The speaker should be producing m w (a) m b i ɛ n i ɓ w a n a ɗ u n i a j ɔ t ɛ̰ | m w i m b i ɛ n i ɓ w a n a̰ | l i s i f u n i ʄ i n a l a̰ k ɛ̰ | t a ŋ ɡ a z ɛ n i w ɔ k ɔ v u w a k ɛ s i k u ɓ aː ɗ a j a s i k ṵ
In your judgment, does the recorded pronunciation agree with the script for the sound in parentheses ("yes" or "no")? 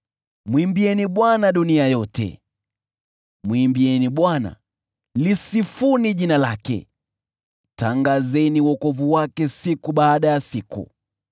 no